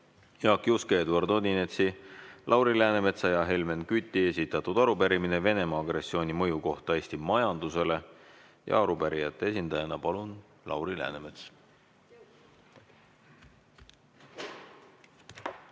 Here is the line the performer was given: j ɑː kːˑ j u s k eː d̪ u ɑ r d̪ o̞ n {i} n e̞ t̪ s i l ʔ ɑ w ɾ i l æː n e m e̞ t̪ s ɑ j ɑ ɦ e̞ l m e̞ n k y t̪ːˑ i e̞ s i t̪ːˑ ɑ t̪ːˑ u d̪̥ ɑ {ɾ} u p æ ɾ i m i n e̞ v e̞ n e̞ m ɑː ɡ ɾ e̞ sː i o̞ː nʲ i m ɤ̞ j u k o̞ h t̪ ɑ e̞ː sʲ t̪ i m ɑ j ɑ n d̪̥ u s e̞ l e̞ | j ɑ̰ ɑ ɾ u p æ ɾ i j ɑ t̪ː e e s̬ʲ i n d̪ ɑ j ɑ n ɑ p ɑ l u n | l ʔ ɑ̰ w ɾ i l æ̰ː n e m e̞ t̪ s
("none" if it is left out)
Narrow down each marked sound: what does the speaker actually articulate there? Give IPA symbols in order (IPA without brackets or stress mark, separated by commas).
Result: i, ɾ